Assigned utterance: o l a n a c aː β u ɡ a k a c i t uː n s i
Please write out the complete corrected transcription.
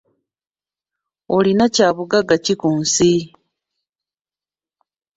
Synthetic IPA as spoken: o l i n a c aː β u ɡ a ɡ a c i k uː n s i